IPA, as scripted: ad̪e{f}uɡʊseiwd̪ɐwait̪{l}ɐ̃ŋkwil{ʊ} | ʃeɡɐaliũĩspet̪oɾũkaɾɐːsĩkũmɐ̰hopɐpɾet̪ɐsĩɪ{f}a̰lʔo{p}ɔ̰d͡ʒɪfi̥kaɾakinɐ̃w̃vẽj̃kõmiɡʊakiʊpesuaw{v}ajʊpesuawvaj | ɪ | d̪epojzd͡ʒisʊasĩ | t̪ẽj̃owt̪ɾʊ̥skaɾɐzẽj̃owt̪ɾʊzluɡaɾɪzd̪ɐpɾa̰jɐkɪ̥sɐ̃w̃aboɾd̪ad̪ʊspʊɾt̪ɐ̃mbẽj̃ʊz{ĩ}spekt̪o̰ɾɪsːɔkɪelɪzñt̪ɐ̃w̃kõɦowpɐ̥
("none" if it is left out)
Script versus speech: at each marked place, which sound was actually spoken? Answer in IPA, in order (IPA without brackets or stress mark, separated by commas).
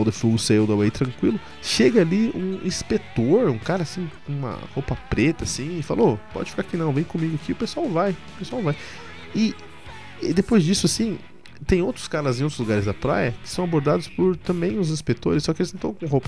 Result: f, ɾ, ʊ, f, p, v, ĩ